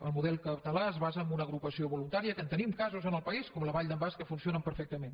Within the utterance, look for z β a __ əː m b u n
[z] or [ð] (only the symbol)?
z